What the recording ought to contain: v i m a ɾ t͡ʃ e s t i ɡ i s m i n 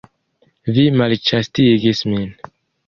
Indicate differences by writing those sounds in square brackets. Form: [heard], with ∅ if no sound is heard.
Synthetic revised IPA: v i m a [l] t͡ʃ [a] s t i ɡ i s m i n